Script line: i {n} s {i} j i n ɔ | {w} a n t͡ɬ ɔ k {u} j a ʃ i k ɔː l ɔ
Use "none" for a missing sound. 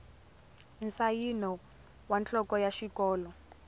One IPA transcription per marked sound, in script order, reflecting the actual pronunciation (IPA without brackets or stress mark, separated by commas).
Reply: n, a, w, ɔ